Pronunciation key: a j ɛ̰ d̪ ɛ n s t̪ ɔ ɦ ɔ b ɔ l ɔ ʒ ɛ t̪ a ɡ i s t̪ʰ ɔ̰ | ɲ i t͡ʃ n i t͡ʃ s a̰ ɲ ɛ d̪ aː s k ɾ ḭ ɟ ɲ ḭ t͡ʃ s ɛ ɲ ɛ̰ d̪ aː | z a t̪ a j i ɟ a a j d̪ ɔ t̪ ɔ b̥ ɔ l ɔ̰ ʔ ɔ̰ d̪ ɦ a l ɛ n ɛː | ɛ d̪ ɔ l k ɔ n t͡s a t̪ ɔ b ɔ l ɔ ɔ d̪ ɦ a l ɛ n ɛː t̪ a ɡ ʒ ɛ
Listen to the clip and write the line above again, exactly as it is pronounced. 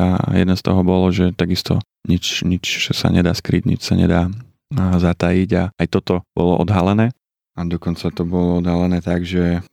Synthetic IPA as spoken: a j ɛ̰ d̪ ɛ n s t̪ ɔ ɦ ɔ b ɔ l ɔ ʒ ɛ t̪ a ɡ i s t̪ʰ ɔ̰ | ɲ i t͡ʃ ɲ i t͡ʃ s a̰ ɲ ɛ d̪ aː s k ɾ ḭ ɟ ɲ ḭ t͡ʃ s a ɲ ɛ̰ d̪ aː | z a t̪ a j i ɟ a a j t̪ ɔ t̪ ɔ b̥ ɔ l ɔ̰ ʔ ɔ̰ d̪ ɦ a l ɛ n ɛː | a d̪ ɔ k ɔ n t͡s a t̪ ɔ b ɔ l ɔ ɔ d̪ ɦ a l ɛ n ɛː t̪ a ɡ ʒ ɛ